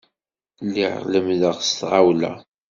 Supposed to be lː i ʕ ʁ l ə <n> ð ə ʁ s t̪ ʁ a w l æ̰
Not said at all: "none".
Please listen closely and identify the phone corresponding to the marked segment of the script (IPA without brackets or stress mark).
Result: m